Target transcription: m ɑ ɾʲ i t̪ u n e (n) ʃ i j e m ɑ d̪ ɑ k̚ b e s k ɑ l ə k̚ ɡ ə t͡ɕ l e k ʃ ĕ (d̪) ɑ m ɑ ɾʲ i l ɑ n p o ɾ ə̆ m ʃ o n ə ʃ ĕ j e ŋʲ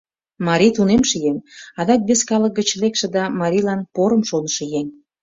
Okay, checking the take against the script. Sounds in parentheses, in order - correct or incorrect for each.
incorrect, correct

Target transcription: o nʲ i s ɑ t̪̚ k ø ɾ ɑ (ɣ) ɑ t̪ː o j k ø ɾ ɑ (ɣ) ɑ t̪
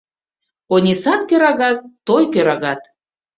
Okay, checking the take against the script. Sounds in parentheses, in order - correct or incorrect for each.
correct, correct

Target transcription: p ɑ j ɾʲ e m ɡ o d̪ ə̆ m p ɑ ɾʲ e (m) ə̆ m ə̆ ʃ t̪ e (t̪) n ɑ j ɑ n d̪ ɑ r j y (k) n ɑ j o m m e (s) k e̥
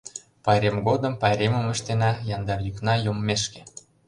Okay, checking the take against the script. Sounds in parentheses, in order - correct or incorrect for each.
correct, incorrect, correct, incorrect

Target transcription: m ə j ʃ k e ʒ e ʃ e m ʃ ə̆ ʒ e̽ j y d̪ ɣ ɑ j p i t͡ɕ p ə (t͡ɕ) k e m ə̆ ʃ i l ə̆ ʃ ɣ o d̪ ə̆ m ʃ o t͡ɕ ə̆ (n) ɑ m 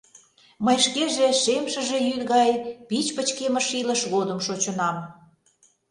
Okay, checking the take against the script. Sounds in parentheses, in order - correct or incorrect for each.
correct, correct

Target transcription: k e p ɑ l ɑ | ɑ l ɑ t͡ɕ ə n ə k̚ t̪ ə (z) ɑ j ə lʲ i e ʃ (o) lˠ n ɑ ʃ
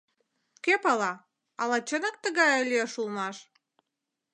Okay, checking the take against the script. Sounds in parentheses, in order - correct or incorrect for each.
incorrect, incorrect

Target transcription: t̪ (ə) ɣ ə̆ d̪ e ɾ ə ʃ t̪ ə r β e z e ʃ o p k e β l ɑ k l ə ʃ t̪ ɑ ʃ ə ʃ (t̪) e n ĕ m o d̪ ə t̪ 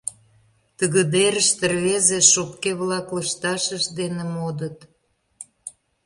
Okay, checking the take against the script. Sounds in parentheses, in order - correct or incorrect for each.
correct, incorrect

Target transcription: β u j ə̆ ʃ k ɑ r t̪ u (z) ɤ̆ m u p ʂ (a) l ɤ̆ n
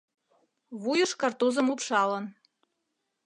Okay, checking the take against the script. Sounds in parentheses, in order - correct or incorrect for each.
correct, incorrect

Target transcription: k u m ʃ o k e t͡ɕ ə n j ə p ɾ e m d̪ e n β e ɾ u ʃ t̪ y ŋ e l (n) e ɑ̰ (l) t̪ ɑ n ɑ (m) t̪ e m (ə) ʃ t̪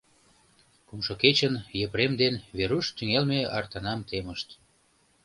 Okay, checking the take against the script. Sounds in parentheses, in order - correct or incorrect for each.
incorrect, incorrect, correct, correct

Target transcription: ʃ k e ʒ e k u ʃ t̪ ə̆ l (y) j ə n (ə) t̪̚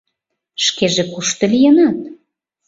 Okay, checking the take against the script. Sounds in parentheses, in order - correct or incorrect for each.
incorrect, incorrect

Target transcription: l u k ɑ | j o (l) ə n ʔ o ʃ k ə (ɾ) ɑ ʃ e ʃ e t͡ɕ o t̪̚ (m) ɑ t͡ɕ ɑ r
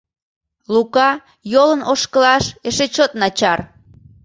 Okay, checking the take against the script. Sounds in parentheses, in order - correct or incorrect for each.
correct, incorrect, incorrect

